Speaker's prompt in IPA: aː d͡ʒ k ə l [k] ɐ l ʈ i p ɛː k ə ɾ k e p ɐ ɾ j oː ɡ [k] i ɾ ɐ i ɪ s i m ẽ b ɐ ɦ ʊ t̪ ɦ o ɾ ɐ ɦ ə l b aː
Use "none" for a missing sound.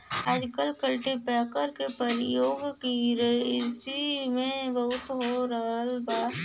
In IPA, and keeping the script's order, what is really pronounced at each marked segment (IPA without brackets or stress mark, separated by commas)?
k, k